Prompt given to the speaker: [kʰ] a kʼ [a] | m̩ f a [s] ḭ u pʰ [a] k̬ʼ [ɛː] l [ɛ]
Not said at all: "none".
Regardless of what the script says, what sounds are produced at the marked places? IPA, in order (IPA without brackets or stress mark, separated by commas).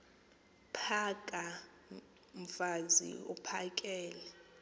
pʰ, a, z, a, ɛː, ɛ